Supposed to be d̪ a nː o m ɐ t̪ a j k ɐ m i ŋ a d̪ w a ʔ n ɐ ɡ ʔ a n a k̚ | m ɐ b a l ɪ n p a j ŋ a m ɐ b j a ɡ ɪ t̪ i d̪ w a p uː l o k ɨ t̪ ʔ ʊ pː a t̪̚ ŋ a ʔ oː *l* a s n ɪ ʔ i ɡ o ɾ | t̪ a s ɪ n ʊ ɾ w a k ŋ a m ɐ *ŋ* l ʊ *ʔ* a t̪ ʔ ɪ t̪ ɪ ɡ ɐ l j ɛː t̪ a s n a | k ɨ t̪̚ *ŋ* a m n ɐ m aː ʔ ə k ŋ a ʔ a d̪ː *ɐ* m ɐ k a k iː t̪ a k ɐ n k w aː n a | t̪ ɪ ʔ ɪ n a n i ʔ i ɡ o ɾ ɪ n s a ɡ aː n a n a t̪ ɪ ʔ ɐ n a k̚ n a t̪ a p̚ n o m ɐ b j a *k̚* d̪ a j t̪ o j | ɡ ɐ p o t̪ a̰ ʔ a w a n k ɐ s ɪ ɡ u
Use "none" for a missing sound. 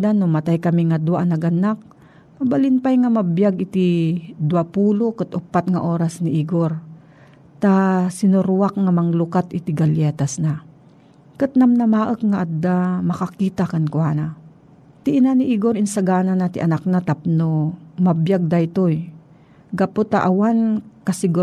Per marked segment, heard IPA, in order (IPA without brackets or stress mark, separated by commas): ɾ, ŋ, k, n, a, ɡ̚